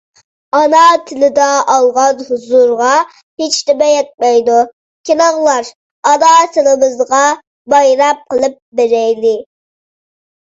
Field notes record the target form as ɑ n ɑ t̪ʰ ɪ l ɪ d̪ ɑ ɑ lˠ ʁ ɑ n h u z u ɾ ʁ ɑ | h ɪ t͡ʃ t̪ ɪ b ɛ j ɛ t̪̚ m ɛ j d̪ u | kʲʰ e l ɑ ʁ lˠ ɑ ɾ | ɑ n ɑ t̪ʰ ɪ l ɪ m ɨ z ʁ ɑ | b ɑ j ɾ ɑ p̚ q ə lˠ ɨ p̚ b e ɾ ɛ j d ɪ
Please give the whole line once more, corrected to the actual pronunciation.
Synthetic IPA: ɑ n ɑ t̪ʰ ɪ l ɪ d̪ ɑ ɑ lˠ ʁ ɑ n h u z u ɾ ʁ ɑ | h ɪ t͡ʃ t̪ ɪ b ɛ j ɛ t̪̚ m ɛ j d̪ u | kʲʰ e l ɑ ʁ lˠ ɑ ɾ | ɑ n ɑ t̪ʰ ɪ l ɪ m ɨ z ʁ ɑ | b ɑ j ɾ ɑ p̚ q ə lˠ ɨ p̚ b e ɾ ɛ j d ɪ